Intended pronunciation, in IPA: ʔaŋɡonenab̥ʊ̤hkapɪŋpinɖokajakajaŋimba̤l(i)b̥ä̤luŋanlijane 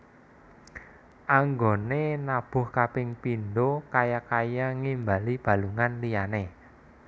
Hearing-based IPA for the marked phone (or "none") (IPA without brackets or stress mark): i